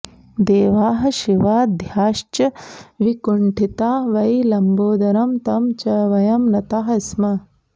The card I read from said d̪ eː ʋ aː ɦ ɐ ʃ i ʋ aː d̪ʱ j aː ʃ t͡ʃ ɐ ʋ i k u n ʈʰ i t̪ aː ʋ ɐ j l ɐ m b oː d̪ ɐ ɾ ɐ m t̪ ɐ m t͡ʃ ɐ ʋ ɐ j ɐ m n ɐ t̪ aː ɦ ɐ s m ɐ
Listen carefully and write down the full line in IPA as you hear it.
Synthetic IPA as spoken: d̪ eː ʋ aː ɦ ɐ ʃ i ʋ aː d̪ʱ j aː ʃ t͡ʃ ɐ ʋ i k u ɳ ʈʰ i t̪ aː ʋ ɐ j l ɐ m b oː d̪ ɐ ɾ ɐ m t̪ ɐ m t͡ʃ ɐ ʋ ɐ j ɐ m n ɐ t̪ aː ɦ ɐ s m ɐ